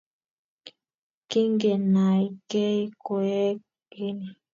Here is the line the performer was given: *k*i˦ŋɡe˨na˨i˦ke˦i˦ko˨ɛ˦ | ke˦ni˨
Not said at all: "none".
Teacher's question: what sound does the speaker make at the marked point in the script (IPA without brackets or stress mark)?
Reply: k